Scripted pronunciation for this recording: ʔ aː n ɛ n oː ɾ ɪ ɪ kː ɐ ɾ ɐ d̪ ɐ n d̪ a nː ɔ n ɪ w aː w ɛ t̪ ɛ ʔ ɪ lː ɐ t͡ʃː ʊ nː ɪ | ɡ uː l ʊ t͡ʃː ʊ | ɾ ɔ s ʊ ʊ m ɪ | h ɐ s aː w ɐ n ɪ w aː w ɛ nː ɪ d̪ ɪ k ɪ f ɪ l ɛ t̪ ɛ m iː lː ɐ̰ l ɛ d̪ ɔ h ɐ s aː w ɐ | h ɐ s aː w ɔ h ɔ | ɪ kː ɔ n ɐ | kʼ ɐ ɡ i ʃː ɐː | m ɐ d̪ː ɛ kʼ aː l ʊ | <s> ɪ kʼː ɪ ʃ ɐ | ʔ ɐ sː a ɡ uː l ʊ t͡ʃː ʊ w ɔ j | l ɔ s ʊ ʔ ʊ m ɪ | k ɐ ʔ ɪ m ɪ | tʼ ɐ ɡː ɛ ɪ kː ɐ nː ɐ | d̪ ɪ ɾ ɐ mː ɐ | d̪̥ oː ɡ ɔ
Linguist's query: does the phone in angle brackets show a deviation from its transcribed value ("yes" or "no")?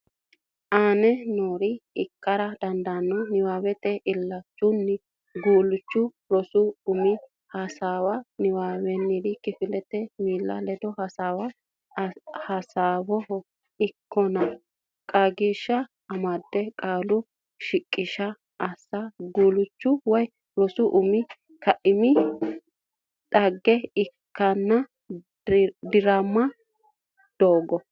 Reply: yes